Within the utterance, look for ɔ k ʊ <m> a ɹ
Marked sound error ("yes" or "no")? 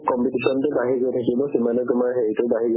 no